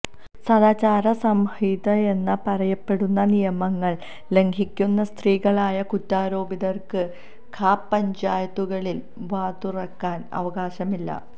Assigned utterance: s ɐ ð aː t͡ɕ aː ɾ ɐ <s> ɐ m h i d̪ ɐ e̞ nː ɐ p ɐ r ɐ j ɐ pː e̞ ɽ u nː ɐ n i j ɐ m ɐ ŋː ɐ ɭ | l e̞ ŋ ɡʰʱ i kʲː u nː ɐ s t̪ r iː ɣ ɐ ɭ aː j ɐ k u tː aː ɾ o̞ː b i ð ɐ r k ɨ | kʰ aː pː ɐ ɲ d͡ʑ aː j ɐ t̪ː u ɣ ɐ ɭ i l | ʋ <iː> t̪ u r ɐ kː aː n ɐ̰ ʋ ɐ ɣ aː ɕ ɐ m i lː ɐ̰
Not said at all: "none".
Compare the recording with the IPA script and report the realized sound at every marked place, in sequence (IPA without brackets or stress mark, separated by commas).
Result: s, aː